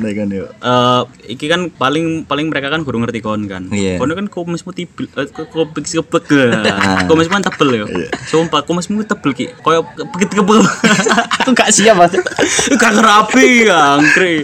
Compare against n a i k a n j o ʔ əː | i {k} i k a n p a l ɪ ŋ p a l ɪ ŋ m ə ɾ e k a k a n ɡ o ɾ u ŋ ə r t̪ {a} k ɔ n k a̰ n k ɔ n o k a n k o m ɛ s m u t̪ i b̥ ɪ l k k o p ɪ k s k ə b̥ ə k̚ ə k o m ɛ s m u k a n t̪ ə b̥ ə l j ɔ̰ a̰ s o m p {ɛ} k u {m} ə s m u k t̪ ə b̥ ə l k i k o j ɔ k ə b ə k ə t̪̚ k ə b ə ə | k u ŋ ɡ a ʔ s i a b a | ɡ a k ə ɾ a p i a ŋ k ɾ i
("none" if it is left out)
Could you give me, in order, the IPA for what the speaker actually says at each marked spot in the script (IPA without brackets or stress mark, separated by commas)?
k, i, a, m